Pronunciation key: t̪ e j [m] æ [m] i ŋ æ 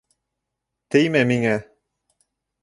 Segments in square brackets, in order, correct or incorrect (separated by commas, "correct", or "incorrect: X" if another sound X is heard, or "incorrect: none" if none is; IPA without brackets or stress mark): correct, correct